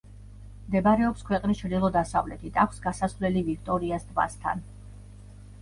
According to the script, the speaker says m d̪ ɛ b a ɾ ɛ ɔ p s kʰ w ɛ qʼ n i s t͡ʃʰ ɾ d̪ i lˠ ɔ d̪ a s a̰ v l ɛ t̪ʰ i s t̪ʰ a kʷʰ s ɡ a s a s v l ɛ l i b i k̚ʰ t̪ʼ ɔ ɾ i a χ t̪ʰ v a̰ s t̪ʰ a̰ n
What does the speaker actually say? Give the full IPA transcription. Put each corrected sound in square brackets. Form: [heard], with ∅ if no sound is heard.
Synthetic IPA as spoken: m d̪ ɛ b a ɾ ɛ ɔ p s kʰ w ɛ qʼ n i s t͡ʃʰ ɾ d̪ i lˠ ɔ d̪ a s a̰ v l ɛ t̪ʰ i [∅] t̪ʰ a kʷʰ s ɡ a s a s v l ɛ l i [v] i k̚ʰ t̪ʼ ɔ ɾ i a [s] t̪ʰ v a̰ s t̪ʰ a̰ n